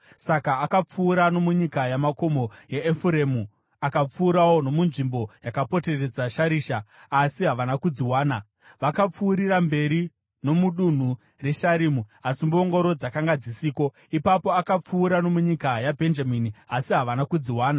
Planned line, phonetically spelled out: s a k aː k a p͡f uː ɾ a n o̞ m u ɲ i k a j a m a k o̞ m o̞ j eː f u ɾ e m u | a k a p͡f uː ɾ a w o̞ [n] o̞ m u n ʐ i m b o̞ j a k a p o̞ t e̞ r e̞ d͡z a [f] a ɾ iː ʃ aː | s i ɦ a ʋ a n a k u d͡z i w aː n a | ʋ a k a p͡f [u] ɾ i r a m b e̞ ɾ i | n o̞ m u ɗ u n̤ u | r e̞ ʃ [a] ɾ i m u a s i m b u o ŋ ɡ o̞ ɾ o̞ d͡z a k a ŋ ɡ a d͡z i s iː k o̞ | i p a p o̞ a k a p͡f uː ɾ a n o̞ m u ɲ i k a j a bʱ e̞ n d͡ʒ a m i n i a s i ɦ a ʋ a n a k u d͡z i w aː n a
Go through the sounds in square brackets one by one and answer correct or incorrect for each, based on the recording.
correct, incorrect: ʃ, incorrect: uː, correct

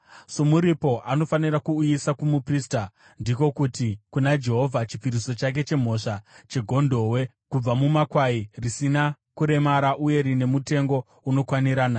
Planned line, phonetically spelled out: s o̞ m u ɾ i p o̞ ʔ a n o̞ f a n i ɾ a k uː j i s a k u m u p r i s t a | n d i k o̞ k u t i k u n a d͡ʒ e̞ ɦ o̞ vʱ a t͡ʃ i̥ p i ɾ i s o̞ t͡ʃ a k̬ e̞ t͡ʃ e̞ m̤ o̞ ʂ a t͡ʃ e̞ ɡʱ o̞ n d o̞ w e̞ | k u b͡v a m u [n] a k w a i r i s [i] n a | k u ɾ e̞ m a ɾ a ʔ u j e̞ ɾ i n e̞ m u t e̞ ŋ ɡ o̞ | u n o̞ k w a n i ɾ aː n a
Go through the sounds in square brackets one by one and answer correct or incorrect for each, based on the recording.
incorrect: m, correct

